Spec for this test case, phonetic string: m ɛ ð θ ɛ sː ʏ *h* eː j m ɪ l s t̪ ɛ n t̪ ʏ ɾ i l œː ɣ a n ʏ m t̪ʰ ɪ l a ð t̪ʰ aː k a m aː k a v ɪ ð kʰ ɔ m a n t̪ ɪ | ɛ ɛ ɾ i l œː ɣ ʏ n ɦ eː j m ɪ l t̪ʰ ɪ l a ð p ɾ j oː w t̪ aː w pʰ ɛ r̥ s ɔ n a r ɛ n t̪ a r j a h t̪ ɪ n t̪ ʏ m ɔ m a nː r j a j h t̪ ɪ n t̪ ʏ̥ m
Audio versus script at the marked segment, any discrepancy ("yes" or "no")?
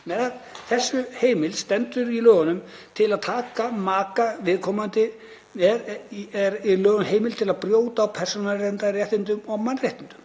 no